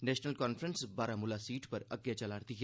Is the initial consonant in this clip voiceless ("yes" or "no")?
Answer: no